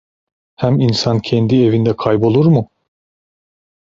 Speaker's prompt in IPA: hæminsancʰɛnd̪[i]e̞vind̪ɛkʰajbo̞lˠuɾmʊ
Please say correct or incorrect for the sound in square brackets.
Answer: correct